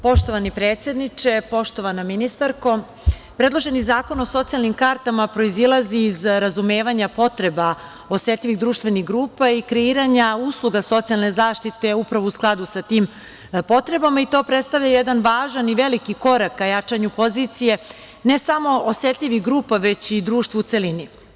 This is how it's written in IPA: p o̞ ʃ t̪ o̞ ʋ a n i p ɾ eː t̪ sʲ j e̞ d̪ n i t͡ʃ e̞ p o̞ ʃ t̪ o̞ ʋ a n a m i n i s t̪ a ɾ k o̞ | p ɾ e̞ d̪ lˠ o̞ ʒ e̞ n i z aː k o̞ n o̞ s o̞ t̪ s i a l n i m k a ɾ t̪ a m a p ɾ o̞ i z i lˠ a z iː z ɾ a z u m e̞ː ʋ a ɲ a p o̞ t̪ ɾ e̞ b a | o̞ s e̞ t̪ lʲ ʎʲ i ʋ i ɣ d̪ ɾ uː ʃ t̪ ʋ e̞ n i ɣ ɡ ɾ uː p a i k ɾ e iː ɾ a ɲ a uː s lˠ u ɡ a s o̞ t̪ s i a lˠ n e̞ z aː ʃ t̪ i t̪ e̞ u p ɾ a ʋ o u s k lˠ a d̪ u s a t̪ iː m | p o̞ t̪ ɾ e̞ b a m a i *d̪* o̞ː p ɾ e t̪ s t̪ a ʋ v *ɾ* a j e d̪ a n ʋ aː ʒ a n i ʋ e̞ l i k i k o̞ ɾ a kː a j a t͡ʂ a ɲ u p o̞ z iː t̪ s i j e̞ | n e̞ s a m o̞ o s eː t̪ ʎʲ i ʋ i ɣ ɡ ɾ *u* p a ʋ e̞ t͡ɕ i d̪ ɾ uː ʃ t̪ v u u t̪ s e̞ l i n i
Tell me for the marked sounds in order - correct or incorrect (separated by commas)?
incorrect, incorrect, incorrect